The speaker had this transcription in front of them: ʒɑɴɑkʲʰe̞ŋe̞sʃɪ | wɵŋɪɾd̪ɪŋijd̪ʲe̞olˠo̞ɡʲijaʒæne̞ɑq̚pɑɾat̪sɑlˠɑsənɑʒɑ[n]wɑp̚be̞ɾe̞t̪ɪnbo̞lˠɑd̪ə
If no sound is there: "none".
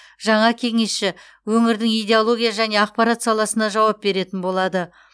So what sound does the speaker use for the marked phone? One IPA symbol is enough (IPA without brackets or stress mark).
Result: none